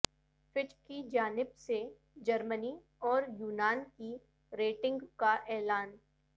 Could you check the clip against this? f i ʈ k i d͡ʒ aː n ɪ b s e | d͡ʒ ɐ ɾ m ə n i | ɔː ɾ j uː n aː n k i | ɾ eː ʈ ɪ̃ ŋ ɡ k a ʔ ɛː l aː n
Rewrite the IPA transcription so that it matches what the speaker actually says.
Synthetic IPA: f ɪ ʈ k i d͡ʒ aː n ɪ b s e | d͡ʒ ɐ ɾ m ə n i | ɔː ɾ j uː n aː n k i | ɾ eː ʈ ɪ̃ ŋ ɡ k a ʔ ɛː l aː n